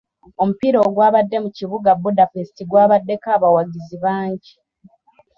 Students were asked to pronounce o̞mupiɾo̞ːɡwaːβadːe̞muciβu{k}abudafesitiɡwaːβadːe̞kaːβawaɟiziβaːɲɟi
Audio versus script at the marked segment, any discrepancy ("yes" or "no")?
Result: yes